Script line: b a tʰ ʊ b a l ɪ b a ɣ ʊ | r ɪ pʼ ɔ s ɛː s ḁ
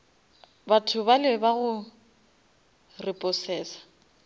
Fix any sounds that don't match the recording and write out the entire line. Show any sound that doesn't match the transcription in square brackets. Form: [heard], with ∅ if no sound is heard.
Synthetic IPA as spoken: b a tʰ ʊ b a l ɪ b a ɣ ʊ | r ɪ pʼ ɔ s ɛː s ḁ